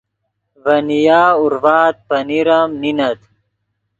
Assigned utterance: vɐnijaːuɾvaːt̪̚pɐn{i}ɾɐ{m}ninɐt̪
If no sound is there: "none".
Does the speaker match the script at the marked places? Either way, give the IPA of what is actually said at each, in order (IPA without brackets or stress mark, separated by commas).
i, m